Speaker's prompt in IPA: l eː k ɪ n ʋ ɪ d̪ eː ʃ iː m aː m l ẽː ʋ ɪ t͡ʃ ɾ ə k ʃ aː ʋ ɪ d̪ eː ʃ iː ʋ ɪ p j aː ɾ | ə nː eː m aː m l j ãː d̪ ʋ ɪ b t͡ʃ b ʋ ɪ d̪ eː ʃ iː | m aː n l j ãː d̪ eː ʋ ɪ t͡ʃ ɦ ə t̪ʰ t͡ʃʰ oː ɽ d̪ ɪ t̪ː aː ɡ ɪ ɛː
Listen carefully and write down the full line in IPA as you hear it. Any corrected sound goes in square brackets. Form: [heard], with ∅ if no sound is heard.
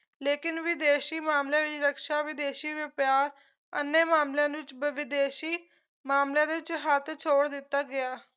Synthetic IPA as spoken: l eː k ɪ n ʋ ɪ d̪ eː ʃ iː m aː m l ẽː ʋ ɪ t͡ʃ ɾ ə k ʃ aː ʋ ɪ d̪ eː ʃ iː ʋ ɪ p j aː ɾ | ə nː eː m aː m l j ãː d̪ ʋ ɪ [∅] t͡ʃ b ʋ ɪ d̪ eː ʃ iː | m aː [m] l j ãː d̪ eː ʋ ɪ t͡ʃ ɦ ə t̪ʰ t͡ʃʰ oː ɽ d̪ ɪ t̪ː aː ɡ ɪ [aː]

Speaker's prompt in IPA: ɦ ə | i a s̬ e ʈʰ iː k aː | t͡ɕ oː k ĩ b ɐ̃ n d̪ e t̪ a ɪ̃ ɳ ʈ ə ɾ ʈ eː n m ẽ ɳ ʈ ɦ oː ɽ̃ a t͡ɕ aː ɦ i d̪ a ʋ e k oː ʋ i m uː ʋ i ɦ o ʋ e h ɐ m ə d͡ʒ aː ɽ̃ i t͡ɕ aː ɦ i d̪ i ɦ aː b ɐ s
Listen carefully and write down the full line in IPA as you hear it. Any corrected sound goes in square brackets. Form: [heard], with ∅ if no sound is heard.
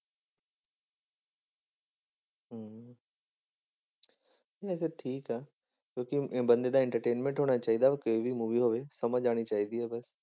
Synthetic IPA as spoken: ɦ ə | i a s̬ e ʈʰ iː k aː | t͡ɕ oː k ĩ b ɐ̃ n d̪ e [d̪] a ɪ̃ ɳ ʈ ə ɾ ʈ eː n m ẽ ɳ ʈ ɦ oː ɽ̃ a t͡ɕ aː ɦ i d̪ a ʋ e k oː ʋ i m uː ʋ i ɦ o ʋ e [s] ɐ m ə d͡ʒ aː ɽ̃ i t͡ɕ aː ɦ i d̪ i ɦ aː b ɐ s

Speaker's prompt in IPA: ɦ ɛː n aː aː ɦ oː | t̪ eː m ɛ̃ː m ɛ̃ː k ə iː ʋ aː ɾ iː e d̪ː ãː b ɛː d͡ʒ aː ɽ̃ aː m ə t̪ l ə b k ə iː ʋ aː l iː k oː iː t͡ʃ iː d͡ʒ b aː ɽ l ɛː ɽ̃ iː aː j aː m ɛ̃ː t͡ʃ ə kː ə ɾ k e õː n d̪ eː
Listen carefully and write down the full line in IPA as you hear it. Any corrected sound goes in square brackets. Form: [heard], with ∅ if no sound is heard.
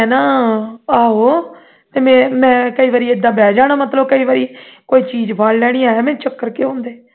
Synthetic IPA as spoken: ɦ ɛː n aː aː ɦ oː | t̪ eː m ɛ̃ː m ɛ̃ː k ə iː ʋ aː ɾ iː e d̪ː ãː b ɛː d͡ʒ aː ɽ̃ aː m ə t̪ l ə b k ə iː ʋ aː [ɾ] iː k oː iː t͡ʃ iː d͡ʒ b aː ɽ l ɛː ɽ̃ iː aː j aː m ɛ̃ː t͡ʃ ə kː ə ɾ k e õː n d̪ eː

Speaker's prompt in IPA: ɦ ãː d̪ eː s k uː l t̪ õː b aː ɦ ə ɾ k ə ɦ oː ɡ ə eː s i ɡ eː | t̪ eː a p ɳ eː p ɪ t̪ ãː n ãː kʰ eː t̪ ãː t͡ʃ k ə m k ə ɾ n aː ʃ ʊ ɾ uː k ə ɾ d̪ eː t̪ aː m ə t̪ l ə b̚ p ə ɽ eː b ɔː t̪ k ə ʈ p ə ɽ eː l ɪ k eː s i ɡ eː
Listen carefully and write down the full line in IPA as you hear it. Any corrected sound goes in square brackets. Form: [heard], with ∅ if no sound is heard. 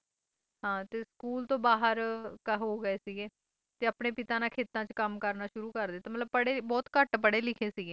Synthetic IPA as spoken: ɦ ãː [t̪] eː s k uː l t̪ õː b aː ɦ ə ɾ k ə ɦ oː ɡ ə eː s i ɡ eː | t̪ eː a p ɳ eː p ɪ t̪ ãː n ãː kʰ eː t̪ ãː t͡ʃ k ə m k ə ɾ n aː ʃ ʊ ɾ uː k ə ɾ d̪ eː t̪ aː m ə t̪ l ə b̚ p ə ɽ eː b ɔː t̪ k ə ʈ p ə ɽ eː l ɪ [kʰ] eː s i ɡ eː

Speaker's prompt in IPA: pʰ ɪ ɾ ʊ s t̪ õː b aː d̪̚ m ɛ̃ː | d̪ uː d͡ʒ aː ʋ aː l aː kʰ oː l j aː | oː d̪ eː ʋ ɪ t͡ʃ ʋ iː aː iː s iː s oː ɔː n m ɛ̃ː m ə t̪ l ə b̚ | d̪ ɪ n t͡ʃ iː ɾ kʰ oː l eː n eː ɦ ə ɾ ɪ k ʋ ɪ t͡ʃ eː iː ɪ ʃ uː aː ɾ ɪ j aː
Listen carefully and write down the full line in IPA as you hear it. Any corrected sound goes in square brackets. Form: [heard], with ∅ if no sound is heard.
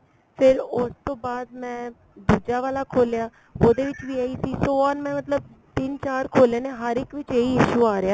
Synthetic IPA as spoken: pʰ ɪ ɾ ʊ s t̪ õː b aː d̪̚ m ɛ̃ː | d̪ uː d͡ʒ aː ʋ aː l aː kʰ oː l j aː | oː d̪ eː ʋ ɪ t͡ʃ ʋ iː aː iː s iː s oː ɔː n m ɛ̃ː m ə t̪ l ə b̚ | [t̪] ɪ n t͡ʃ [aː] ɾ kʰ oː l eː n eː ɦ ə ɾ ɪ k ʋ ɪ t͡ʃ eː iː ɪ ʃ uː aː ɾ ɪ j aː

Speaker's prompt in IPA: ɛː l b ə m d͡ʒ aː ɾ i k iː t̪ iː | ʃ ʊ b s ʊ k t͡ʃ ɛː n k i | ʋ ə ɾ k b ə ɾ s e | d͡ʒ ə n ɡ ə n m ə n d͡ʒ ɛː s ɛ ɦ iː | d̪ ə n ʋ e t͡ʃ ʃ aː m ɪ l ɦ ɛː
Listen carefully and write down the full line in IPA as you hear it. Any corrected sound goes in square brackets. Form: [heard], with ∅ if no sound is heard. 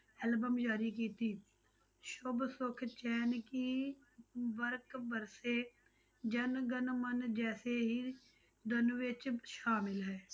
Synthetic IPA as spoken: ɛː l b ə m d͡ʒ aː ɾ i k iː t̪ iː | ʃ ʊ b s ʊ [kʰ] t͡ʃ ɛː n k i | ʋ ə ɾ k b ə ɾ s e | d͡ʒ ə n ɡ ə n m ə n d͡ʒ ɛː s [e] ɦ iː | d̪ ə n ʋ e t͡ʃ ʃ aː m ɪ l ɦ ɛː

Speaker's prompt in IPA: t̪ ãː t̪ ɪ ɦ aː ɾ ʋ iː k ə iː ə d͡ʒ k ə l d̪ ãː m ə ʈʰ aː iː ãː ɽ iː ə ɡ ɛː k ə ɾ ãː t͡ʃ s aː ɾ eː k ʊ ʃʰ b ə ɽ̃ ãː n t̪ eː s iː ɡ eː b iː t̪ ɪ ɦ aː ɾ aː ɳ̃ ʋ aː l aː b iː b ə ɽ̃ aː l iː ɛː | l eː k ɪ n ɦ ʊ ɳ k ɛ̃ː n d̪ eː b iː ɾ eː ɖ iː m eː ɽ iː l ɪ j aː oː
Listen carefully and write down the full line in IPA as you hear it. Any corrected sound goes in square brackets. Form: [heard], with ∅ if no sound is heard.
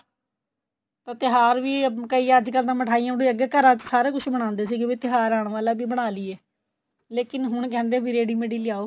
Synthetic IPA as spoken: t̪ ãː t̪ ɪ ɦ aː ɾ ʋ iː k ə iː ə d͡ʒ k ə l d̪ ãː m ə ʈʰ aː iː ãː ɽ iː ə ɡ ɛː k ə ɾ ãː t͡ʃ s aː ɾ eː k ʊ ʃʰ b ə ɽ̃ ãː n [d̪] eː s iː ɡ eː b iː t̪ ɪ ɦ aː ɾ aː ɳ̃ ʋ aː l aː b iː b ə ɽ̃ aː l iː ɛː | l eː k ɪ n ɦ ʊ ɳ k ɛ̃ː n d̪ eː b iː ɾ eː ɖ iː m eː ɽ iː l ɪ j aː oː

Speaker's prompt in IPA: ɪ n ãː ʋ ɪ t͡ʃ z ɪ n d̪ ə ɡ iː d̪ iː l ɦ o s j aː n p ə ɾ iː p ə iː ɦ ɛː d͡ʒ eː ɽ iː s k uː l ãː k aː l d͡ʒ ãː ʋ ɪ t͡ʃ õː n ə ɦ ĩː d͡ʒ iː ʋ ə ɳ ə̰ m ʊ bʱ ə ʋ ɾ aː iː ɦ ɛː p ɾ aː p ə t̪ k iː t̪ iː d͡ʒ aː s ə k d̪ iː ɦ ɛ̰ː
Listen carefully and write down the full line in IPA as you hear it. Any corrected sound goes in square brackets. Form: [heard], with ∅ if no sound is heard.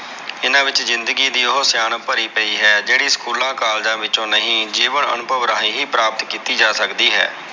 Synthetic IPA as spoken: ɪ n ãː ʋ ɪ t͡ʃ z ɪ n d̪ ə ɡ iː d̪ iː [∅] ɦ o s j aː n p ə ɾ iː p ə iː ɦ ɛː d͡ʒ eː ɽ iː s k uː l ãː k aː l d͡ʒ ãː ʋ ɪ t͡ʃ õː n ə ɦ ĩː d͡ʒ iː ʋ ə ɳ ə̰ [n] ʊ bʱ ə ʋ ɾ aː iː ɦ [iː] p ɾ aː p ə t̪ k iː t̪ iː d͡ʒ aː s ə k d̪ iː ɦ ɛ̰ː

